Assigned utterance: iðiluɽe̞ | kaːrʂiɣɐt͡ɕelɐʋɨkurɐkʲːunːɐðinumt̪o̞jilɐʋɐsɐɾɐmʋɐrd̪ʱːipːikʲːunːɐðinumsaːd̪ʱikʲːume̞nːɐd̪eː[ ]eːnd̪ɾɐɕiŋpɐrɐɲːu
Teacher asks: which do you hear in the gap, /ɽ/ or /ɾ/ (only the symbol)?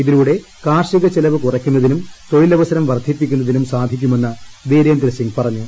ɾ